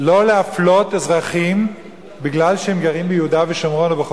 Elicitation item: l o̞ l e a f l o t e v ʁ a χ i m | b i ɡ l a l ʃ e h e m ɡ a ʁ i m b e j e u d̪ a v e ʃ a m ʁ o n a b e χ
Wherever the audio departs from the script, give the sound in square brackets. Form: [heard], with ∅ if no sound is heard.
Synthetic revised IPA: l o̞ l e a f l o t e [z] ʁ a χ i m | b i ɡ l a l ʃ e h e m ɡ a ʁ i m b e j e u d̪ a v e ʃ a m ʁ o n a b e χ